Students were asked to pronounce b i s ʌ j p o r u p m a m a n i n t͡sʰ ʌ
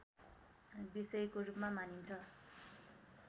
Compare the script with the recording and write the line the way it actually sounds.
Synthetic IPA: b i s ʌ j k o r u p m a m a n i n t͡sʰ ʌ